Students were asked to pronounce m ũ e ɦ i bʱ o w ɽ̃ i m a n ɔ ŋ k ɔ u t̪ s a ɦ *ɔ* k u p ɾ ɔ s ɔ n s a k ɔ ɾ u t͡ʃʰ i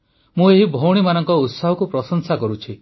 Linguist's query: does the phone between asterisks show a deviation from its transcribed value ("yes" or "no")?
no